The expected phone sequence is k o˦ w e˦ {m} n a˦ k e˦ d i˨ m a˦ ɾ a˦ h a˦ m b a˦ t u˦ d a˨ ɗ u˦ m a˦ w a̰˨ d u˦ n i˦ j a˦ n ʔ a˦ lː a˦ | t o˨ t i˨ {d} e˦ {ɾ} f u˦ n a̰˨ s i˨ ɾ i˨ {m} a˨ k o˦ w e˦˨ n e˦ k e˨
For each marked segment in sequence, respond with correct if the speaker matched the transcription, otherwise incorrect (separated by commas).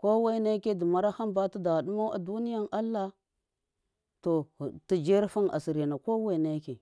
incorrect, incorrect, correct, incorrect